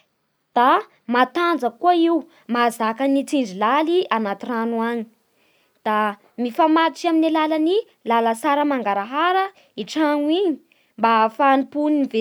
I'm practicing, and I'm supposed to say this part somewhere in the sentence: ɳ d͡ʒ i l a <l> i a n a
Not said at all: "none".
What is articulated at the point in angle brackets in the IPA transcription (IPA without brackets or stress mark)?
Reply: l